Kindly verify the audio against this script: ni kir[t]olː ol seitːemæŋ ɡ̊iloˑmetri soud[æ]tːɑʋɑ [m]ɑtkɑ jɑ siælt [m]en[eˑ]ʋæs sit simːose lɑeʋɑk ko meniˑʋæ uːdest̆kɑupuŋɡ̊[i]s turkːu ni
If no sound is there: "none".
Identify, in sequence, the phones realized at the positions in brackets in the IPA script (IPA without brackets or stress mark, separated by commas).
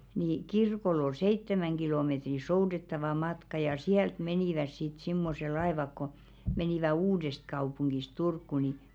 k, e, m, m, iˑ, i